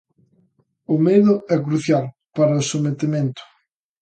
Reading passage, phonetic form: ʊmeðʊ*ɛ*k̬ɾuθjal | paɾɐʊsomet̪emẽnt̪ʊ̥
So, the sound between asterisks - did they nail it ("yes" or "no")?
yes